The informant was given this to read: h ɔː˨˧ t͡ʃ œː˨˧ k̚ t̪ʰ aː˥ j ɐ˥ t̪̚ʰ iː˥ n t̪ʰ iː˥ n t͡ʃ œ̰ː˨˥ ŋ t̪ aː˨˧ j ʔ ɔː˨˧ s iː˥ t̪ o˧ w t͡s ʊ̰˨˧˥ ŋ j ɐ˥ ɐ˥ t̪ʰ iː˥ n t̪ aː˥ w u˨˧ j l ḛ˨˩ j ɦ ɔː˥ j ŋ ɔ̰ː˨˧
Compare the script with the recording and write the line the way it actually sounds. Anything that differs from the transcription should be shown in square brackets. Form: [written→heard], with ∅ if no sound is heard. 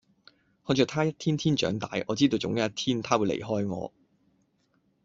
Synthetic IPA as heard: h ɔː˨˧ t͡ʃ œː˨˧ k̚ t̪ʰ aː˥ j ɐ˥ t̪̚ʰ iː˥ n t̪ʰ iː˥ n t͡ʃ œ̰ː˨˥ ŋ t̪ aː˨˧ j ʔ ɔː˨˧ [s→t͡s] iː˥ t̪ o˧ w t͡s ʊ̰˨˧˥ ŋ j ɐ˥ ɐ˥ t̪ʰ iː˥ n [t̪→t̪ʰ] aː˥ w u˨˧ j l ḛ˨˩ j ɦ ɔː˥ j ŋ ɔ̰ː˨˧